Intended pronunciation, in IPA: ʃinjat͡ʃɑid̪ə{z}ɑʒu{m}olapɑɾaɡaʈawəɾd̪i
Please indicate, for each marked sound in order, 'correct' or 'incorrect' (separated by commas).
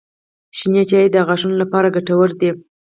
incorrect, incorrect